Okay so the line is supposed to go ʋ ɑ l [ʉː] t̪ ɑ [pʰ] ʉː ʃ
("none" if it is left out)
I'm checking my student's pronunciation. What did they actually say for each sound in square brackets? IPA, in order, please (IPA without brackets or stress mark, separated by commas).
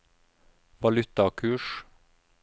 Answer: ʉ, kʰ